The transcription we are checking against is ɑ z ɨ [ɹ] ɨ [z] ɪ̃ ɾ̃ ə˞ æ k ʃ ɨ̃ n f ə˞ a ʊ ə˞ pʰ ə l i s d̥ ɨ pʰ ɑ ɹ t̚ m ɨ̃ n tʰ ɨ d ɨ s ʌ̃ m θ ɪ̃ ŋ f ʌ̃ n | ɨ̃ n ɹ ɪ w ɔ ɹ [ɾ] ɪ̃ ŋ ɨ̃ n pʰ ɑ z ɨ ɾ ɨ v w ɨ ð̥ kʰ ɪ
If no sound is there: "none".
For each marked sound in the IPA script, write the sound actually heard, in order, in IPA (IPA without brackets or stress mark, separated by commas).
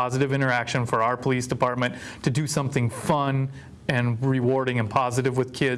ɾ, v, ɾ